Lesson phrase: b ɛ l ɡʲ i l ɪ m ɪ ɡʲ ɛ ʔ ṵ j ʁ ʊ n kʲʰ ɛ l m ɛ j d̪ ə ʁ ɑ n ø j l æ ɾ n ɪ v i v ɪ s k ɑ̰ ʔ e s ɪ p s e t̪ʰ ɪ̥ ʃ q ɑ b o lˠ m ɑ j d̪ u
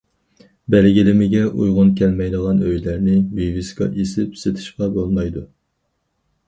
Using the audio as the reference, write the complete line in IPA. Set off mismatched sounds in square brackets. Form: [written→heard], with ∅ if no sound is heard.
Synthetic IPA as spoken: b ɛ l ɡʲ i l ɪ m ɪ ɡʲ ɛ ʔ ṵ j ʁ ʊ n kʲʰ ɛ l m ɛ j d̪ ə ʁ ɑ n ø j l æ ɾ n ɪ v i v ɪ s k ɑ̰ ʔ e s ɪ p s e t̪ʰ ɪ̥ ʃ q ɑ b o lˠ m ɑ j d̪ u

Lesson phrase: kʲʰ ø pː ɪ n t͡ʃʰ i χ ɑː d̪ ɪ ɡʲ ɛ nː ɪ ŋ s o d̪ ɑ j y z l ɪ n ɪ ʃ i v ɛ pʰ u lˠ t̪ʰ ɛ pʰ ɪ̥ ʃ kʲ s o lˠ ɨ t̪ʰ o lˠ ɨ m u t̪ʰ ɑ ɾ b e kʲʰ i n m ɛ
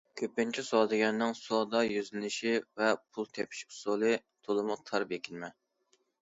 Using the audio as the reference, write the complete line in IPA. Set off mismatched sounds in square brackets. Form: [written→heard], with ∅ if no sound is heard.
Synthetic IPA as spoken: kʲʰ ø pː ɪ n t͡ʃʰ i [χ→s] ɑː d̪ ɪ ɡʲ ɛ nː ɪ ŋ s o d̪ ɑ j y z l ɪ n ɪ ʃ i v ɛ pʰ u lˠ t̪ʰ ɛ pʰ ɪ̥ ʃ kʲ s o lˠ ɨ t̪ʰ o lˠ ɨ m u t̪ʰ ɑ ɾ b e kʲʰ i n m ɛ

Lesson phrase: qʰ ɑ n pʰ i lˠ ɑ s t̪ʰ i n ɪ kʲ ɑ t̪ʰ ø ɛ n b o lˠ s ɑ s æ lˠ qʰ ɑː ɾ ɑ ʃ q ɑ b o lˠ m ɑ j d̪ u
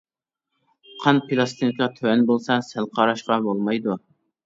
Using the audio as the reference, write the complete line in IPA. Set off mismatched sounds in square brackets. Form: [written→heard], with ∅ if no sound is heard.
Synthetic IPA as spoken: qʰ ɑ n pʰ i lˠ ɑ s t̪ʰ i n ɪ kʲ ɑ t̪ʰ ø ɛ n b o lˠ s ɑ s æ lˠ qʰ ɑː ɾ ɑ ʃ q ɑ b o lˠ m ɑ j d̪ u

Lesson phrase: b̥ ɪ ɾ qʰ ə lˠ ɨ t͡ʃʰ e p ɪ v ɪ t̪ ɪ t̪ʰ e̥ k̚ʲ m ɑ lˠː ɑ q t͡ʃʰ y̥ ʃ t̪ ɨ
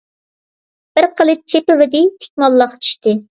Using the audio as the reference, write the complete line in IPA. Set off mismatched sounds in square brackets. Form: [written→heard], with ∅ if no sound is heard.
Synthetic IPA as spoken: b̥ ɪ ɾ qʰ ə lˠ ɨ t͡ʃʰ e p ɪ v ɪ [t̪→d̪] ɪ t̪ʰ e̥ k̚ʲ m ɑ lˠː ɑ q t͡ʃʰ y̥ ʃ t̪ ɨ

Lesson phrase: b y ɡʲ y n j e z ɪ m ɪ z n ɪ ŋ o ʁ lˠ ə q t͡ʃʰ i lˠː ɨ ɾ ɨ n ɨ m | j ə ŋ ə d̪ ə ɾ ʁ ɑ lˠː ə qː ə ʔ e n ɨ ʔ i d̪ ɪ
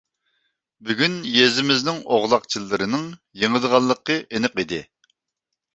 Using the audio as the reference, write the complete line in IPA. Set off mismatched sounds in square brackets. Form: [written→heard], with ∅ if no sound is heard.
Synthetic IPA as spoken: b y ɡʲ y n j e z ɪ m ɪ z n ɪ ŋ o ʁ lˠ [ə→ɑ] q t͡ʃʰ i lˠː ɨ ɾ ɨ n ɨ [m→ŋ] | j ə ŋ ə d̪ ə [ɾ→∅] ʁ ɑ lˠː ə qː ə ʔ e n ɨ [ʔ→q] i d̪ ɪ

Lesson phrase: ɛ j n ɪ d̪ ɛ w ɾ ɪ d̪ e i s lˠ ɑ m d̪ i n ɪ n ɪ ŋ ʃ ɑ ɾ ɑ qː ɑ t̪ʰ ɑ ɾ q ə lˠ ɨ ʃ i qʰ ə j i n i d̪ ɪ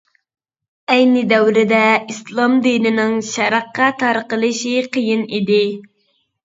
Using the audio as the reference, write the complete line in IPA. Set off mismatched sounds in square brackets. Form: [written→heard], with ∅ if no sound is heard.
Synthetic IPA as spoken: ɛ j n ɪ d̪ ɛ w ɾ ɪ d̪ [e→ɛ] i s lˠ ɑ m d̪ i n ɪ n ɪ ŋ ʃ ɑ ɾ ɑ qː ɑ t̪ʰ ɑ ɾ q ə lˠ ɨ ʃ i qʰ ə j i n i d̪ ɪ

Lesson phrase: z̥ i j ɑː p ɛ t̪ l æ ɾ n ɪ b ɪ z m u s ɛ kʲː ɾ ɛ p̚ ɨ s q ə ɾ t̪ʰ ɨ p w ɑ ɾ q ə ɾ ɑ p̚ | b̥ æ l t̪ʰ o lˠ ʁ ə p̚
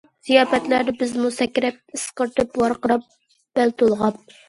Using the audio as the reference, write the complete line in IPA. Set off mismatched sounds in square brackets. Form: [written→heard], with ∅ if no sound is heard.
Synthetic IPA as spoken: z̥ i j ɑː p ɛ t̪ l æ ɾ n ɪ b ɪ z m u s ɛ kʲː ɾ ɛ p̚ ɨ s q ə ɾ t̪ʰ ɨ p w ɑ ɾ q ə ɾ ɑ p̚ | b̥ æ l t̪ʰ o lˠ ʁ [ə→ɑ] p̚

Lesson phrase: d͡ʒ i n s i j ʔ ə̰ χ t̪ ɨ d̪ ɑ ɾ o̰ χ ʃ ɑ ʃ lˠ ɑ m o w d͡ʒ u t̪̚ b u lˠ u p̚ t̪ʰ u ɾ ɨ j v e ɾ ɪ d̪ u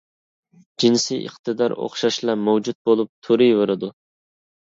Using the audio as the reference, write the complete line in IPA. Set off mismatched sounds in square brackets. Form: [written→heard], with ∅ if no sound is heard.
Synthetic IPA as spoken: d͡ʒ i n s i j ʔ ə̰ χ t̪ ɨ d̪ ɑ ɾ o̰ χ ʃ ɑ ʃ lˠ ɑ m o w d͡ʒ u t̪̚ b [u→o] lˠ u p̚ t̪ʰ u ɾ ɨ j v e ɾ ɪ d̪ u

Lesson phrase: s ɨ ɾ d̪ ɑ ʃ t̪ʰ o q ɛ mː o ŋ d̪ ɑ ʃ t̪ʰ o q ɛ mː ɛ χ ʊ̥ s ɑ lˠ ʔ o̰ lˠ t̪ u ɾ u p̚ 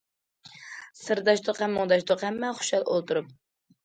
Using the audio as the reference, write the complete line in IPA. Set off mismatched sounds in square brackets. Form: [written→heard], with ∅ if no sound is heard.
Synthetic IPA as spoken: s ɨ ɾ d̪ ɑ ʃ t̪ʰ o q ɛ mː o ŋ d̪ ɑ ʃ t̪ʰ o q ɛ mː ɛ χ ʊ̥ [s→ʃ] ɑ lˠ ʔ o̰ lˠ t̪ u ɾ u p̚

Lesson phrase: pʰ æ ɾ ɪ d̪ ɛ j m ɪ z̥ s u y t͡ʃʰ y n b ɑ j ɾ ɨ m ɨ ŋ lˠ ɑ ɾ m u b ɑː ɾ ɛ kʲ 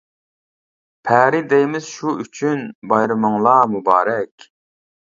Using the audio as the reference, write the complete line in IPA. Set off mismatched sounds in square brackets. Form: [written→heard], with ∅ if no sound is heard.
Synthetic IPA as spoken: pʰ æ ɾ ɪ d̪ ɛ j m ɪ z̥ [s→ʃ] u y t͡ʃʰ y n b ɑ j ɾ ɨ m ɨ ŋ lˠ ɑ [ɾ→∅] m u b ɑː ɾ ɛ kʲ

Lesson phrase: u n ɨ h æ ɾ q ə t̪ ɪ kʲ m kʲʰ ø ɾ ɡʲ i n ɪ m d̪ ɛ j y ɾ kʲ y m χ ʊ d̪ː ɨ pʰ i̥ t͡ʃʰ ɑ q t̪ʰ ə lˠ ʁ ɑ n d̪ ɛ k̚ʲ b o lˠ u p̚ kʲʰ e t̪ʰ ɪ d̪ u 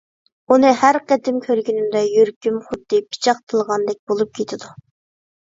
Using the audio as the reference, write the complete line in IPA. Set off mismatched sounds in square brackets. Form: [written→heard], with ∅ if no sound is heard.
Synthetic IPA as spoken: u n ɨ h æ ɾ q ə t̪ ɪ [kʲ→∅] m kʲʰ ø ɾ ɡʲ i n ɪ m d̪ ɛ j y ɾ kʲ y m χ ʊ d̪ː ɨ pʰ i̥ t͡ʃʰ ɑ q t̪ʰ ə lˠ ʁ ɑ n d̪ ɛ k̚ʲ b o lˠ u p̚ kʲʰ e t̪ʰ ɪ d̪ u

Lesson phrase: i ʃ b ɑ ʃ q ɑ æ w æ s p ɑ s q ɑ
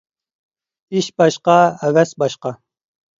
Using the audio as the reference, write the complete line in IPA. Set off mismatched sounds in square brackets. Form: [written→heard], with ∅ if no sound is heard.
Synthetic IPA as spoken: i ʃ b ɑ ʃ q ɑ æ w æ s [p→b] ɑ [s→ʃ] q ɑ

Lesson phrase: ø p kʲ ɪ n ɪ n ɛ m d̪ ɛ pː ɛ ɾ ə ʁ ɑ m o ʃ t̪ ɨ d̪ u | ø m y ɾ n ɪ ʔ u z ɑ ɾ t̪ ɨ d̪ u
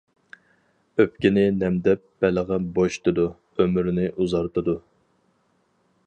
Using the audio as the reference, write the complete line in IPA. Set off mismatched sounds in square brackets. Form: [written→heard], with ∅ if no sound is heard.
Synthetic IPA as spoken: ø p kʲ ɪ n ɪ n ɛ m d̪ ɛ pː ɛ [ɾ→l] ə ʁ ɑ [m→b] o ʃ t̪ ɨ d̪ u | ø m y ɾ n ɪ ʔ u z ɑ ɾ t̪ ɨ d̪ u

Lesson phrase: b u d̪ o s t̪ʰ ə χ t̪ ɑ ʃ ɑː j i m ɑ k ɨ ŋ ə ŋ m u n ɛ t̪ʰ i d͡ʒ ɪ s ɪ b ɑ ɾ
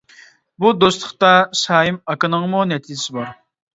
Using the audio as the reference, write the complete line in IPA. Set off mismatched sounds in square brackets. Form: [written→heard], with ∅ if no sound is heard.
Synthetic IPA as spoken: b u d̪ o s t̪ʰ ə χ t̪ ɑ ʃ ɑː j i m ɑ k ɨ [ŋ→n] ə ŋ m u n ɛ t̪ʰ i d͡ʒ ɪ s ɪ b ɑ ɾ

